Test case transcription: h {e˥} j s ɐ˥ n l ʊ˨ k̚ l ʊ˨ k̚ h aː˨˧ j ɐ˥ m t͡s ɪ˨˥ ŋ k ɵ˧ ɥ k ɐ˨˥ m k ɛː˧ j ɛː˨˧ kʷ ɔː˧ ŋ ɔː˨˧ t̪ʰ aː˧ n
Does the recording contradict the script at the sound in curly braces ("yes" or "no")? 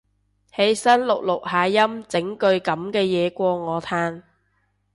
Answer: yes